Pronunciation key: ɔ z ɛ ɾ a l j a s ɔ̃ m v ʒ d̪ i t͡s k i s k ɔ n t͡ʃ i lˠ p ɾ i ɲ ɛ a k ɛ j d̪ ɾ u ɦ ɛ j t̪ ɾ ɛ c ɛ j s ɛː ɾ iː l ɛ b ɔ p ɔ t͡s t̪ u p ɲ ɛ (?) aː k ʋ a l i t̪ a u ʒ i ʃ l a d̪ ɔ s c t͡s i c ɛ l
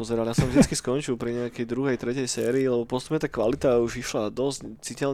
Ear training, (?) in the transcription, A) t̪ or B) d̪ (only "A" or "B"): A